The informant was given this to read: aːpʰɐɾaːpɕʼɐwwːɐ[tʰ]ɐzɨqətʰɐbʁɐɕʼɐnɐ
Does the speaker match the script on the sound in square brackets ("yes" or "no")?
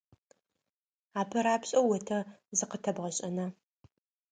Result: yes